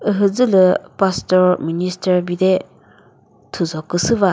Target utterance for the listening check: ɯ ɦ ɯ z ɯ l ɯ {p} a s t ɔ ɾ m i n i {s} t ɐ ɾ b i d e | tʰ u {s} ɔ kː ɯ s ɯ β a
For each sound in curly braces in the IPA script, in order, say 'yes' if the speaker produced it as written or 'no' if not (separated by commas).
yes, yes, no